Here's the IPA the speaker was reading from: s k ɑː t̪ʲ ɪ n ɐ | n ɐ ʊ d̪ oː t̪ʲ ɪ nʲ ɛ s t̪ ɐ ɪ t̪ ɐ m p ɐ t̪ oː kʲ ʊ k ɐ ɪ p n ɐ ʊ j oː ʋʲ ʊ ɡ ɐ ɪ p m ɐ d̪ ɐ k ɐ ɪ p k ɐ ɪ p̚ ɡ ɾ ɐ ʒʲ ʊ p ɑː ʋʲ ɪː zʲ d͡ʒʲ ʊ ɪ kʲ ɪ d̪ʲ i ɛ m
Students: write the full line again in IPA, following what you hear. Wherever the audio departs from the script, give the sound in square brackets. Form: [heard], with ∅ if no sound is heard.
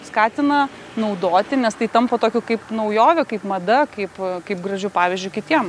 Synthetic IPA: s k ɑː t̪ʲ ɪ n ɐ | n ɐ ʊ d̪ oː t̪ʲ ɪ nʲ ɛ s t̪ ɐ ɪ t̪ ɐ m p ɐ t̪ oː kʲ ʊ k ɐ ɪ p n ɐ ʊ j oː ʋʲ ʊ [k] ɐ ɪ p m ɐ d̪ ɐ k ɐ ɪ p k ɐ ɪ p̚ ɡ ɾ ɐ ʒʲ ʊ p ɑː ʋʲ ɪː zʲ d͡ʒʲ ʊ ɪ kʲ ɪ [t̪ʲ] i ɛ m